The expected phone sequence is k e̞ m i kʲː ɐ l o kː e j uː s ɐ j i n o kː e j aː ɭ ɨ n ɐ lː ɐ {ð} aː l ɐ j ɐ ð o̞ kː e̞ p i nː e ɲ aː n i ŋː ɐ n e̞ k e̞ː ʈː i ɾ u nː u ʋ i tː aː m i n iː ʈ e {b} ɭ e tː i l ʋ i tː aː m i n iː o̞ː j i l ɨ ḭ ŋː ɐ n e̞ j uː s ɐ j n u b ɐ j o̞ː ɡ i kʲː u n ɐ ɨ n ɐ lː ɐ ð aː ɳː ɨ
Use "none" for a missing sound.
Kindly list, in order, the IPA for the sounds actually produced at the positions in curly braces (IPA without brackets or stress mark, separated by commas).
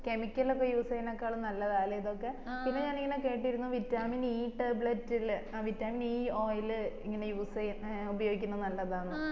ð, b